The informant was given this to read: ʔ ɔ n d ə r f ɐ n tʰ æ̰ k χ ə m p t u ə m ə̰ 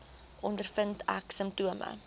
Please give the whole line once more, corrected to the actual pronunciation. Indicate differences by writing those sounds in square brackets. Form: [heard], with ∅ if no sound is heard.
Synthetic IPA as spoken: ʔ ɔ n d ə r f [ə] n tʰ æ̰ k [s] ə m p t u ə m ə̰